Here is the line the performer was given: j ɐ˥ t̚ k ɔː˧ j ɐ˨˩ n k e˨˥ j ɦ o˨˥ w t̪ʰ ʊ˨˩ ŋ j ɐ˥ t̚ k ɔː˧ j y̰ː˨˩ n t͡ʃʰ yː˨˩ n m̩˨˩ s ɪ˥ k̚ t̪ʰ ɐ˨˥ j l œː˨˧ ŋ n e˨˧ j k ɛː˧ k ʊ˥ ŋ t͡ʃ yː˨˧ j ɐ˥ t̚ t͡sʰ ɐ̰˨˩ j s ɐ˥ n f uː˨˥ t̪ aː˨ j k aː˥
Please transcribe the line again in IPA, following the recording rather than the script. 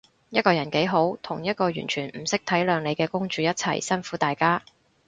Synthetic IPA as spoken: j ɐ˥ t̚ k ɔː˧ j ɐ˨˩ n k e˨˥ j ɦ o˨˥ w t̪ʰ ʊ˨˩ ŋ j ɐ˥ t̚ k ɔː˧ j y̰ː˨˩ n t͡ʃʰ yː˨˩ n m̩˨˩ s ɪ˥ k̚ t̪ʰ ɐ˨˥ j l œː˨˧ ŋ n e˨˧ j k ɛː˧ k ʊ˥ ŋ t͡ʃ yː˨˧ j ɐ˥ t̚ t͡sʰ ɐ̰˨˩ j s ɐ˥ n f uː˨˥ t̪ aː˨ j k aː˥